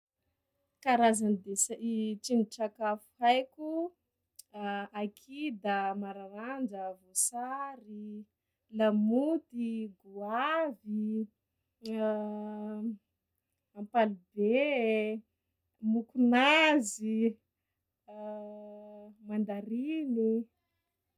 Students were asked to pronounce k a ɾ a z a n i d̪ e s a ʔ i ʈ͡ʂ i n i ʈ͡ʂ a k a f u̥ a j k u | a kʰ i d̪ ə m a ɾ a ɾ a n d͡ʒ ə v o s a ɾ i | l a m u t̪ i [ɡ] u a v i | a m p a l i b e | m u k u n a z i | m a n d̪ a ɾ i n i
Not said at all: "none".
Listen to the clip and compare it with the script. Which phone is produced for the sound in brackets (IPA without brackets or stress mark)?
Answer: ɡ